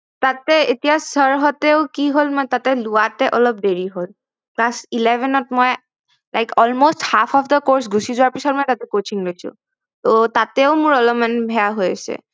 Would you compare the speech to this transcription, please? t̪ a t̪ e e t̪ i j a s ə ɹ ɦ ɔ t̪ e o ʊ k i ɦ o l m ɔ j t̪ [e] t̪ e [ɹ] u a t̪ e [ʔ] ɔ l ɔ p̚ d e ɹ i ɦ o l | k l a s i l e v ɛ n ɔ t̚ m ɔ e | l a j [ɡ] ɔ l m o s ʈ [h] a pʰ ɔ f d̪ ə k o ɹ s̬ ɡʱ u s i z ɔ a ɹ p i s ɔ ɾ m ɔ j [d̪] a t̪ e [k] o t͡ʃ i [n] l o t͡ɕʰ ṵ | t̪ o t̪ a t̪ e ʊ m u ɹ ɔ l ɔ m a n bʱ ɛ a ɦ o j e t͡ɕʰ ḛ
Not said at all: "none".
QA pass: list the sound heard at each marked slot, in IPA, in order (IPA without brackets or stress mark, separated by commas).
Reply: a, l, ʔ, k, h, t̪, k, ŋ